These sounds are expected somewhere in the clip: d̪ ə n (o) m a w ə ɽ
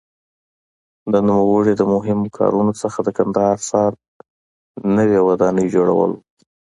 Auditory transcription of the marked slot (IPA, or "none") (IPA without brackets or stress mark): u